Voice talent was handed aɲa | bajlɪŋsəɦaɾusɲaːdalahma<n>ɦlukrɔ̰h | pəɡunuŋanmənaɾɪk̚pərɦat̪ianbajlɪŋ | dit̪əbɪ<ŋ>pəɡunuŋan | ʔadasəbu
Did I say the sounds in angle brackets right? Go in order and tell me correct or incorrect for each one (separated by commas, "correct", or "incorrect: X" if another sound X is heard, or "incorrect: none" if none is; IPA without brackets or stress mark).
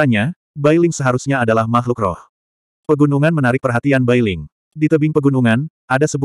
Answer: incorrect: none, correct